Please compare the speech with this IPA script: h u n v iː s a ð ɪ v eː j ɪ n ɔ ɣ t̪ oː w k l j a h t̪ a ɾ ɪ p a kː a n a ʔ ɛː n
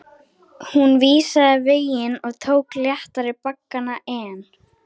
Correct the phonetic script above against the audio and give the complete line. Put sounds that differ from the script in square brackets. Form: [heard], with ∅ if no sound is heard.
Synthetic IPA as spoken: h u n v iː s a ð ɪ v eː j ɪ n ɔ ɣ [t̪ʰ] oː w k l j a h t̪ a ɾ ɪ p a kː a n a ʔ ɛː n